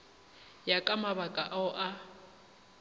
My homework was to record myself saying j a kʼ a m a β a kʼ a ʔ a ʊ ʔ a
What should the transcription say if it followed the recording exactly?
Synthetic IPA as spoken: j a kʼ a m a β a kʼ a ʔ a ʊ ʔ a